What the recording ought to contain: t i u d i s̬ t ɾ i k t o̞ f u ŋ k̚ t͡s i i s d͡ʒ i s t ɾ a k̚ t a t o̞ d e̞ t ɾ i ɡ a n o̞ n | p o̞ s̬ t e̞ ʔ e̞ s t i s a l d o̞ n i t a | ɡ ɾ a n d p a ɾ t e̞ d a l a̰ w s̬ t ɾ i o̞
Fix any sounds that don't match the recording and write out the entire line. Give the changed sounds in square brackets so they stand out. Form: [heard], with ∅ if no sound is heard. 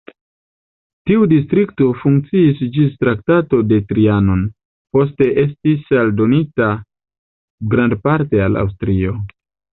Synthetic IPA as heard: t i u d i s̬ t ɾ i k t o̞ f u ŋ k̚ t͡s i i s d͡ʒ i s t ɾ a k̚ t a t o̞ d e̞ t ɾ i [∅] a n o̞ n | p o̞ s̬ t e̞ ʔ e̞ s t i s a l d o̞ n i t a | ɡ ɾ a n d p a ɾ t e̞ [∅] a l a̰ w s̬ t ɾ i o̞